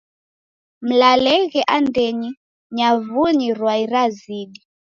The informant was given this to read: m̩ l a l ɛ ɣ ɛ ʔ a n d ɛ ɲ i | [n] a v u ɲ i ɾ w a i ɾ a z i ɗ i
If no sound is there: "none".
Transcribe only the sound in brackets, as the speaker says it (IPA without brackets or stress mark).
ɲ